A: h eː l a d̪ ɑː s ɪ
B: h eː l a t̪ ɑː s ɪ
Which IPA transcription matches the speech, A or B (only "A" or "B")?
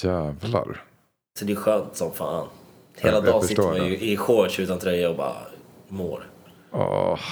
A